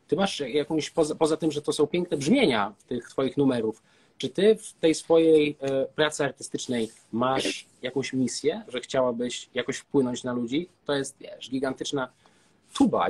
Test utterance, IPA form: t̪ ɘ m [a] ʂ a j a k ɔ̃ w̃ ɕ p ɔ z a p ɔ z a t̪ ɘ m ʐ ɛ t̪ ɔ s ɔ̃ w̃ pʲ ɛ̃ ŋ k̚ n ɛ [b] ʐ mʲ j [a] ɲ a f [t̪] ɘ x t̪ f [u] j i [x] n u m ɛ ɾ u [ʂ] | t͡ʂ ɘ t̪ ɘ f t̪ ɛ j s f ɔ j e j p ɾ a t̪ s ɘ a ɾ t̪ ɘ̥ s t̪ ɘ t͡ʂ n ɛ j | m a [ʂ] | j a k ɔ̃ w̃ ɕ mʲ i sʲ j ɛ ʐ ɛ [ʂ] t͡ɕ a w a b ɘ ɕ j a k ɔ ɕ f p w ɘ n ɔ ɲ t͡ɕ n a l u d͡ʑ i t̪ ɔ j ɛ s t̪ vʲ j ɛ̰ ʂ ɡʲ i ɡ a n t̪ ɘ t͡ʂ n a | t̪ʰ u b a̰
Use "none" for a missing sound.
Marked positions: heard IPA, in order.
a, b, e, t̪, ɔ, x, f, ʂ, x

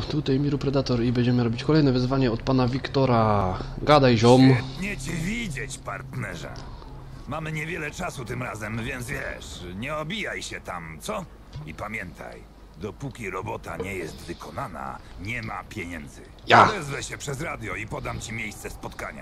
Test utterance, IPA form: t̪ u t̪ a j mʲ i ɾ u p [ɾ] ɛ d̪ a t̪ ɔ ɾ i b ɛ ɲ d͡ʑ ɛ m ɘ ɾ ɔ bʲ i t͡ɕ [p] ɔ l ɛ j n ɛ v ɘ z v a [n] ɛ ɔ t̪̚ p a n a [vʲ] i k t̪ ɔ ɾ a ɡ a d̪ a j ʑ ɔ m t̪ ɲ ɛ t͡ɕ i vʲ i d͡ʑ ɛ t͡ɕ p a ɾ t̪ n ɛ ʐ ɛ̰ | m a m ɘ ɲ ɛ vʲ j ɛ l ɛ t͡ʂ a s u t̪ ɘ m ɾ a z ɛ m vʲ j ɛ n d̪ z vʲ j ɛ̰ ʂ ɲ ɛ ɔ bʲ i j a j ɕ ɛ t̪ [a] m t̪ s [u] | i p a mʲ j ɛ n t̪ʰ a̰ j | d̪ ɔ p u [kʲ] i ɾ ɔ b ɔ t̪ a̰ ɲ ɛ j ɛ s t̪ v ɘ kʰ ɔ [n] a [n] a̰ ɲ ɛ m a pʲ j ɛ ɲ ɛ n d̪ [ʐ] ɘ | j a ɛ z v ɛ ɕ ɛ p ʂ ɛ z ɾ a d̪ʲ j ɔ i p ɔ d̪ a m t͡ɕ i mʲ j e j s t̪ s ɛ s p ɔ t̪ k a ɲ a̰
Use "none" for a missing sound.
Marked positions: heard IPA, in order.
ɾ, k, ɲ, vʲ, a, ɔ, kʲ, n, n, z

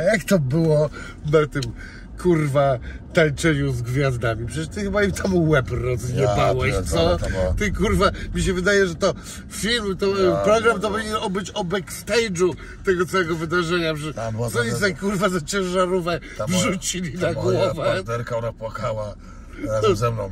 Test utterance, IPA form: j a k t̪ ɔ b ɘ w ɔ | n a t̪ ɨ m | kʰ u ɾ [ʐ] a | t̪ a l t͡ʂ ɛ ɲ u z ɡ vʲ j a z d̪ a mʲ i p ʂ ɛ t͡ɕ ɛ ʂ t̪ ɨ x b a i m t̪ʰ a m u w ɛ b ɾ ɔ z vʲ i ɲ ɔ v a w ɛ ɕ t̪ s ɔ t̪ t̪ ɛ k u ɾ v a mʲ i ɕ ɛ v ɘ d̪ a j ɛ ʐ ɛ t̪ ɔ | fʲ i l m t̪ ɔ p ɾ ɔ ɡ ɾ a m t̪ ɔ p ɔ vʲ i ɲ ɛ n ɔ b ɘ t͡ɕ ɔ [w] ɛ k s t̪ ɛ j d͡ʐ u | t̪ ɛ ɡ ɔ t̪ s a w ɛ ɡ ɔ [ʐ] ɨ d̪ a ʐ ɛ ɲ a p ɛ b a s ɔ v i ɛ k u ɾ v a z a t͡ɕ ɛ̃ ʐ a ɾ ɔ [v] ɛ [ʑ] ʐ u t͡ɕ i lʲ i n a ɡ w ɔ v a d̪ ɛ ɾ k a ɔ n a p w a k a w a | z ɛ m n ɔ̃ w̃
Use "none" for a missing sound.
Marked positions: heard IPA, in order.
v, b, v, v, v

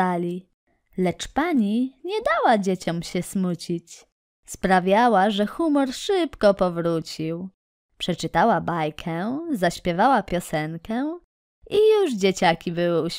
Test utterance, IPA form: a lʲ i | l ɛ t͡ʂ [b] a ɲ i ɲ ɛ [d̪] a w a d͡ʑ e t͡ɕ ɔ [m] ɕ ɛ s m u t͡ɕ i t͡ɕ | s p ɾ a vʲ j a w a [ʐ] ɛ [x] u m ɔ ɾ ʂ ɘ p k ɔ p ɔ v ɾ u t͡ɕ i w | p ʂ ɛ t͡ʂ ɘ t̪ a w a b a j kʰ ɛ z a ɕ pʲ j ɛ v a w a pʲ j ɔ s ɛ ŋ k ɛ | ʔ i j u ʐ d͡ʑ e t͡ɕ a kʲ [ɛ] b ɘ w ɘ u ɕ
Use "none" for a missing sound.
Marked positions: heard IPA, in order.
p, d̪, m, ʐ, x, i

